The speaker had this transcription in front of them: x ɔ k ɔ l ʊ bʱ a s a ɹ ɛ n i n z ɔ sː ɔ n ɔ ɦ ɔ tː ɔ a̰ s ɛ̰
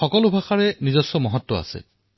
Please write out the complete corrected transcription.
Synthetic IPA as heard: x ɔ k ɔ l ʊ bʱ a x a ɹ ɛ n i z ɔ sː ɔ m ɔ ɦ ɔ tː ɔ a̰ s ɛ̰